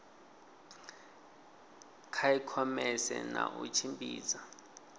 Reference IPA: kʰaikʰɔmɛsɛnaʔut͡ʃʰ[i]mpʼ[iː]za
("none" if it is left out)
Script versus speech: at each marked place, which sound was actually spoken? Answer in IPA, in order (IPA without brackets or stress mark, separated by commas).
i, iː